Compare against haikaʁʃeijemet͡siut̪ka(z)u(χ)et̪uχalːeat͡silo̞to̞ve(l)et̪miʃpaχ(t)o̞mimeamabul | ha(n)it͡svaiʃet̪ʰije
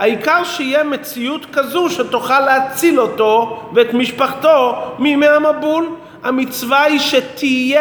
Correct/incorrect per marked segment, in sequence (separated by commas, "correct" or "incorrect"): correct, incorrect, incorrect, correct, incorrect